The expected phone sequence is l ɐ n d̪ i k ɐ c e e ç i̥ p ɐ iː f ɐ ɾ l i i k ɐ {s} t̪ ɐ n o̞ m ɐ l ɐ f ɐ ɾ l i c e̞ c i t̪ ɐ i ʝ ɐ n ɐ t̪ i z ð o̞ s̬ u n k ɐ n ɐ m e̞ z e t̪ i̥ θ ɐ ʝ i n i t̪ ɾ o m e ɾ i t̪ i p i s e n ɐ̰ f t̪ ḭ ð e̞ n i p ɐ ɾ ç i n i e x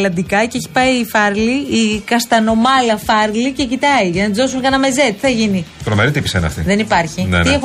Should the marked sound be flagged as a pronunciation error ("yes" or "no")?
no